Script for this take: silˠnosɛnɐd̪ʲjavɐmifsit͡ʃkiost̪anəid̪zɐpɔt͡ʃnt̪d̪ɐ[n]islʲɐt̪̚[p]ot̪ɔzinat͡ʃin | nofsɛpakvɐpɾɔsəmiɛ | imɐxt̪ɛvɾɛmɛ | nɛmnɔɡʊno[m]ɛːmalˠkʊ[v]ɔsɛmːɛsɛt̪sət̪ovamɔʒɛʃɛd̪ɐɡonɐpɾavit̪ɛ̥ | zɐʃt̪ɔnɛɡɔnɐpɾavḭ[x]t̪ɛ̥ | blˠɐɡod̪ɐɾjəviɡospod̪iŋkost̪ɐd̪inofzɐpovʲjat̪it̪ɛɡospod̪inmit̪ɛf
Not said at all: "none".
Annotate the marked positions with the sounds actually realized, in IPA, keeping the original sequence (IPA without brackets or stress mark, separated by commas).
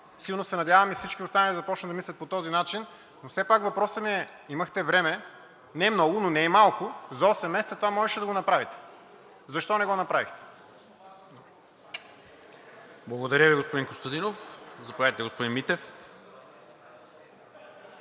m, p, n, z, x